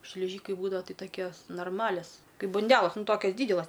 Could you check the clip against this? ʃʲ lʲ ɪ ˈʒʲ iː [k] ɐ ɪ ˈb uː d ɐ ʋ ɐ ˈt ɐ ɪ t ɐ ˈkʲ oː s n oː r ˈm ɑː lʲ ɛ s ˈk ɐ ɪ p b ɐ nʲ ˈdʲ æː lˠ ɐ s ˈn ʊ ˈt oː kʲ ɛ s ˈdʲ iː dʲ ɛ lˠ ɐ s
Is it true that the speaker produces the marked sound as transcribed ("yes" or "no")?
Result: yes